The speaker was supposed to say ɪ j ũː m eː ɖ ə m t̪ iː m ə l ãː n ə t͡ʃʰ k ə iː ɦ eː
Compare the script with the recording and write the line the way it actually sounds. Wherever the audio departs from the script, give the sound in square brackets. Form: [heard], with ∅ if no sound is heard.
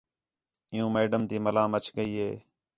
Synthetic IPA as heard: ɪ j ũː m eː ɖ ə m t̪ iː m ə l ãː [m] ə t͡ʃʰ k ə iː ɦ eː